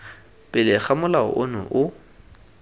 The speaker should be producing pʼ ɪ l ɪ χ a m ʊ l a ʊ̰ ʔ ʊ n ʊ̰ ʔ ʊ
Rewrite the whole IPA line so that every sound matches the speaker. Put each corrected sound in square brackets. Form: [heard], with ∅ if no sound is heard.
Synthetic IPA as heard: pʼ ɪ l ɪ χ a m ʊ l a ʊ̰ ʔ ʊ n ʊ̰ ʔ ʊ